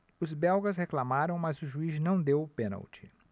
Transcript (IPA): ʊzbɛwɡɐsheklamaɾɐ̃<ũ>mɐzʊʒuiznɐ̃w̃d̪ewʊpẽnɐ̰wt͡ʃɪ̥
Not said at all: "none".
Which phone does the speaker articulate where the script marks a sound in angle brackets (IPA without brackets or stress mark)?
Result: w̃